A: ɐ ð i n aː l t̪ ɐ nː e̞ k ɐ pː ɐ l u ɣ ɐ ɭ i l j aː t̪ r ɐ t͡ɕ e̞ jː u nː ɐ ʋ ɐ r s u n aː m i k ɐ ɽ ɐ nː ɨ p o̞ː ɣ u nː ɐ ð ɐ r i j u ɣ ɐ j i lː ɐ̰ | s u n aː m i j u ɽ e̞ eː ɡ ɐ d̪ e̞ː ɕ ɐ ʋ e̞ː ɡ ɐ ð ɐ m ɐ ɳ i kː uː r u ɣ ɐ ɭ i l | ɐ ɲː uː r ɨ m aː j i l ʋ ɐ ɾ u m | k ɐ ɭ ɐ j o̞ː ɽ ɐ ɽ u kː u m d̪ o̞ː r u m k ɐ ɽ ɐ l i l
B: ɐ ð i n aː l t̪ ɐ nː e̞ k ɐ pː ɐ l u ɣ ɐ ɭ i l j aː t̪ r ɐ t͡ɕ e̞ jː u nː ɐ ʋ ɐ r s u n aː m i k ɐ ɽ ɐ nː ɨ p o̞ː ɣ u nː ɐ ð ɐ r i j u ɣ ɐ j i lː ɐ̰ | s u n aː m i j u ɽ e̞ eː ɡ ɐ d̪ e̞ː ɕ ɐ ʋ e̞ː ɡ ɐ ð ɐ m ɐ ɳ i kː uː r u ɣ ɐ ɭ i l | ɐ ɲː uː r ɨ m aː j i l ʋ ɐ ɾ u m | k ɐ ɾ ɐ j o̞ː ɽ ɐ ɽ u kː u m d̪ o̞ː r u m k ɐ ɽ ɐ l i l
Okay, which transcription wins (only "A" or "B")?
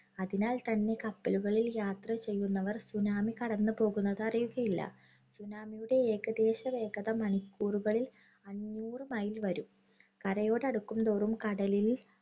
B